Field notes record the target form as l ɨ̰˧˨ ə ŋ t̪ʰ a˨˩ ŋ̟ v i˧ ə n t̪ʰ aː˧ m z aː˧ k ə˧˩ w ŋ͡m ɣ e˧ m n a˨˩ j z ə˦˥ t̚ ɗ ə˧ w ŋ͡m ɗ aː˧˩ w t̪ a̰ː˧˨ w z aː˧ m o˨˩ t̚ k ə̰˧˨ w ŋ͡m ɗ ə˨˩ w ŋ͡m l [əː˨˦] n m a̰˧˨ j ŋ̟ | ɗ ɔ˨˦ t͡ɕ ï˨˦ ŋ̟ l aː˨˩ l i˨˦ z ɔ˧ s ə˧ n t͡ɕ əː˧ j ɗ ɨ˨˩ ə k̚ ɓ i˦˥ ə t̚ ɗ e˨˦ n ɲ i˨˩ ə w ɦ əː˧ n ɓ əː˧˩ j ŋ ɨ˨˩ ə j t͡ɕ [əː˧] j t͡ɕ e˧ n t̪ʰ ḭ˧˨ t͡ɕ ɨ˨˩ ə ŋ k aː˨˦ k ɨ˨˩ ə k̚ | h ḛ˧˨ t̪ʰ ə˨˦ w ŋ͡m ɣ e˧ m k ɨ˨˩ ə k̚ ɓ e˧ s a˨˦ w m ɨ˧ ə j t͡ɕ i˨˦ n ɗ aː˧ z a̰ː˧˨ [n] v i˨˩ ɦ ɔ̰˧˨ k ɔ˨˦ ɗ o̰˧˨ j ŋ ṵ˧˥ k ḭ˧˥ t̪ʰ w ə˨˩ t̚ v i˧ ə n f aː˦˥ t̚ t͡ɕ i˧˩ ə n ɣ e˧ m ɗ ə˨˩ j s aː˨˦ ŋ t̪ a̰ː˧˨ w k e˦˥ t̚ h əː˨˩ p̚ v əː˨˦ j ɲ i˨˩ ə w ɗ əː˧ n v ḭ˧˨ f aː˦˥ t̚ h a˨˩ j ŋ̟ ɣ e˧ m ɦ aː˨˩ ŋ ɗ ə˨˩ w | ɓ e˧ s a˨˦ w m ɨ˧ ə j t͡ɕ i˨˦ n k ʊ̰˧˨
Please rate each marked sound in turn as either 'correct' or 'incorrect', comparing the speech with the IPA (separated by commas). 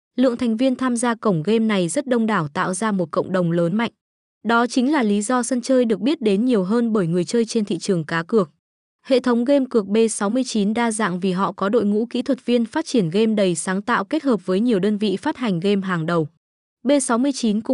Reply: correct, correct, incorrect